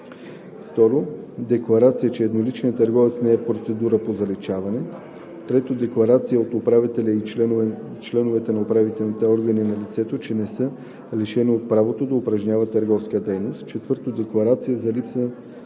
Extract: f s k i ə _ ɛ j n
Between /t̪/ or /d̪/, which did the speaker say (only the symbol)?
d̪